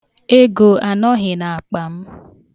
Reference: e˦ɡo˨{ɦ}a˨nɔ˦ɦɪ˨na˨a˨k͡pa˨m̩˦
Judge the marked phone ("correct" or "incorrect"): incorrect